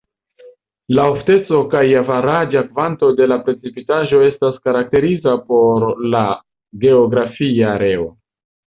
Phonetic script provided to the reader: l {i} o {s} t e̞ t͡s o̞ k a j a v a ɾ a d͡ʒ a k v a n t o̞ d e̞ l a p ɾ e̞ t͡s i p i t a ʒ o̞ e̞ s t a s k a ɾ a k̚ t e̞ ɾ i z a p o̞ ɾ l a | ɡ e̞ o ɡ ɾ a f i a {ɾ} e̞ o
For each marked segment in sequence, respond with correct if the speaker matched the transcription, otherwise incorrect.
incorrect: a, incorrect: f, correct

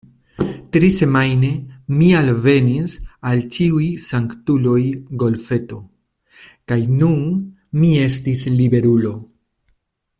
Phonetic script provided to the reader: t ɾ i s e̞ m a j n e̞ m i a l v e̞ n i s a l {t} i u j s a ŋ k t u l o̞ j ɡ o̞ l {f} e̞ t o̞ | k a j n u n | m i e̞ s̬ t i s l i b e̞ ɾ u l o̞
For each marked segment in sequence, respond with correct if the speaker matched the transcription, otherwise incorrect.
incorrect: t͡ʃ, correct

